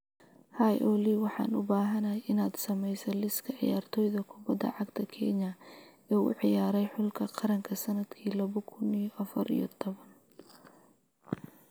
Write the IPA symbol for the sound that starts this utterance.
h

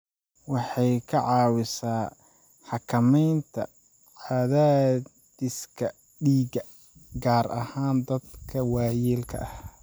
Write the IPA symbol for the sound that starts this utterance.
w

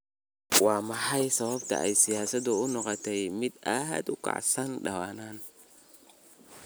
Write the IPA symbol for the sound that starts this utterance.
w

